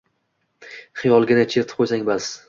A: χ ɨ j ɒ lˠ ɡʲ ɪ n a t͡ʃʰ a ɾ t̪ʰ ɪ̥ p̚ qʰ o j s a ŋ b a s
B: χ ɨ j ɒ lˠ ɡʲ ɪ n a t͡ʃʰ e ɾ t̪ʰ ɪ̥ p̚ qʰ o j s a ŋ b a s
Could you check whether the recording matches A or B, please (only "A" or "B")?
B